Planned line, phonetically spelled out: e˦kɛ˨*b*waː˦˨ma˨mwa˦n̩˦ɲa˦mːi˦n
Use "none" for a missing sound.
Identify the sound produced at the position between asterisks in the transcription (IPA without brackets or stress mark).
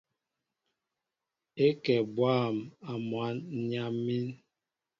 b